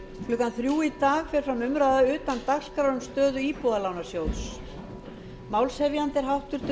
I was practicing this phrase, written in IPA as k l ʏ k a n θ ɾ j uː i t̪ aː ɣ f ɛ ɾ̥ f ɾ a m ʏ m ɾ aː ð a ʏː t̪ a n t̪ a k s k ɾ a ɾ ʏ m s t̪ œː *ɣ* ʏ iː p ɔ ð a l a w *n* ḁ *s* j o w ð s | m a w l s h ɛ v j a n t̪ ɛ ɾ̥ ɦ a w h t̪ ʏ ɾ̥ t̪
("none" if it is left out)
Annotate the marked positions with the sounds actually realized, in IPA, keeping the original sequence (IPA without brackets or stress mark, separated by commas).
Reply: ð, n, s